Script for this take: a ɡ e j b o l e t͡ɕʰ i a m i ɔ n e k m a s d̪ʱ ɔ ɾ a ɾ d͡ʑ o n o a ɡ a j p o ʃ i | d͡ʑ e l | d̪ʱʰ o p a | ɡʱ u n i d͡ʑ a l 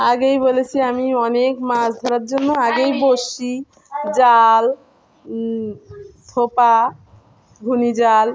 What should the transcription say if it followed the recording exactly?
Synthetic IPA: a ɡ e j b o l e t͡ɕʰ i a m i ɔ n e k m a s d̪ʱ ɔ ɾ a ɾ d͡ʑ o nː o a ɡ e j b o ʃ i | d͡ʑ a l | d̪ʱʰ o p a | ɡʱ u n i d͡ʑ a l